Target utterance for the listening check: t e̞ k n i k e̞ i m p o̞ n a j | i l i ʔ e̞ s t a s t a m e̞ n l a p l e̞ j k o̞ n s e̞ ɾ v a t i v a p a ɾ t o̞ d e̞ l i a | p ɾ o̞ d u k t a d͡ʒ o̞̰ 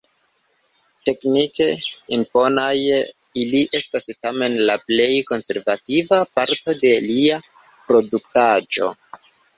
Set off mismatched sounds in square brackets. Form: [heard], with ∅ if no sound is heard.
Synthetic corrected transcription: t e̞ k n i k e̞ i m p o̞ n a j | i l i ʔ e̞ s t a s t a m e̞ n l a p l e̞ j k o̞ n s e̞ ɾ v a t i v a p a ɾ t o̞ d e̞ l i a | p ɾ o̞ d u k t a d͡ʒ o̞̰